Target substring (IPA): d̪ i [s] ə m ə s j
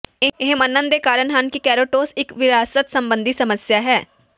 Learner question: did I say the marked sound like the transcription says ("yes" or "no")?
yes